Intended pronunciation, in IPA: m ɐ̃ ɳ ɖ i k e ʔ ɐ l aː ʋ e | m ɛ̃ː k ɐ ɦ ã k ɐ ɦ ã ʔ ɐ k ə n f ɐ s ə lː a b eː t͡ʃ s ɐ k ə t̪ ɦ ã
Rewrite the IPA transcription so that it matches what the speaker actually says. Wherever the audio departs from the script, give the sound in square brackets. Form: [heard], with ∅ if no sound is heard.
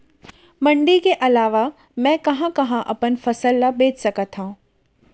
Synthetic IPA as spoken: m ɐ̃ ɳ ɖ i k e ʔ ɐ l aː ʋ [a] | m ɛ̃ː k ɐ ɦ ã k ɐ ɦ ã ʔ ɐ [p] ə n f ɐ s ə lː a b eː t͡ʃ s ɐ k ə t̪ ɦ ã